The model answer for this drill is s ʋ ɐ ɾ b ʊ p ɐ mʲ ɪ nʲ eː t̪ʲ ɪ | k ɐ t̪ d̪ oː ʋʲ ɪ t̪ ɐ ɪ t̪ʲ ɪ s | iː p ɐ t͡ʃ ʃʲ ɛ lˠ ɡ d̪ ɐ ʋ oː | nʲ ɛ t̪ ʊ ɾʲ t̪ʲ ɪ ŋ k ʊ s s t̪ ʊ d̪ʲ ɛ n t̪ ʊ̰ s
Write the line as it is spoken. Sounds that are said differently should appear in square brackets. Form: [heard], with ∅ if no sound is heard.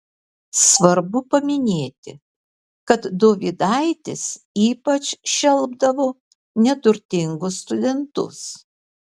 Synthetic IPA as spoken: s ʋ ɐ ɾ b ʊ p ɐ mʲ ɪ nʲ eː t̪ʲ ɪ | k ɐ t̪ d̪ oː ʋʲ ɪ [d̪] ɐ ɪ t̪ʲ ɪ s | iː p ɐ t͡ʃ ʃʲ ɛ lˠ [b] d̪ ɐ ʋ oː | nʲ ɛ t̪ ʊ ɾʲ t̪ʲ ɪ ŋ [ɡ] ʊ s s t̪ ʊ d̪ʲ ɛ n t̪ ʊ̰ s